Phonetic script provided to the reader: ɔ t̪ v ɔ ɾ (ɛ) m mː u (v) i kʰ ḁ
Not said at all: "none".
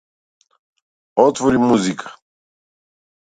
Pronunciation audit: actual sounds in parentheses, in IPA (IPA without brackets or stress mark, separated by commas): i, z